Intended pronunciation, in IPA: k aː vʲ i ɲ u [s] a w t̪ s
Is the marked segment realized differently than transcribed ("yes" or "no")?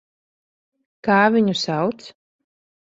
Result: no